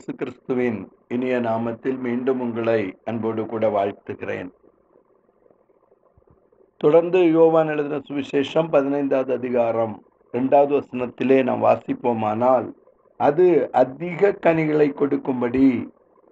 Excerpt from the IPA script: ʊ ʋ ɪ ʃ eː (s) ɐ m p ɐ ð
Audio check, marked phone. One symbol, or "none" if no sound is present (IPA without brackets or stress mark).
ʂ